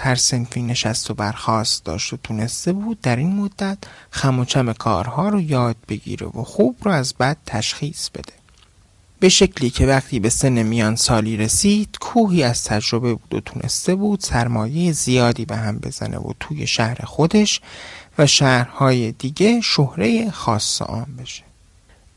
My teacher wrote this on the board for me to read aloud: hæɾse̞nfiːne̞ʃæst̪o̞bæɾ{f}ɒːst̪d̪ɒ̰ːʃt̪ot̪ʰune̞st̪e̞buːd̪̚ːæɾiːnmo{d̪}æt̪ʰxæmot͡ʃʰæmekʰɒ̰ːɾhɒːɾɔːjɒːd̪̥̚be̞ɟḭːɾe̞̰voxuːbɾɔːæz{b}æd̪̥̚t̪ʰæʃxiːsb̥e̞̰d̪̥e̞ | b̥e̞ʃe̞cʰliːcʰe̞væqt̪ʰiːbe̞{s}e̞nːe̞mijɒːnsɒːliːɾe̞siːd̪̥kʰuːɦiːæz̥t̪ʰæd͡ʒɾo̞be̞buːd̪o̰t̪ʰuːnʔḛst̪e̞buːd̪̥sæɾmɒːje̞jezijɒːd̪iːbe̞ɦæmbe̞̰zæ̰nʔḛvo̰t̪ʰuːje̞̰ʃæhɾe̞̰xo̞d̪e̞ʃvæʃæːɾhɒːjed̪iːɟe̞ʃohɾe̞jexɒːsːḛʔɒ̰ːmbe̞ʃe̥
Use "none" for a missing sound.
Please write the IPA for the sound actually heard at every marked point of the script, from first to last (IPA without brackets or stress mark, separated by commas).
x, d̪ː, b, s